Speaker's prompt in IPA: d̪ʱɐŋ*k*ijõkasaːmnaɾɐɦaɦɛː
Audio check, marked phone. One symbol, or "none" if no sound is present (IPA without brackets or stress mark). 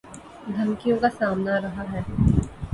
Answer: k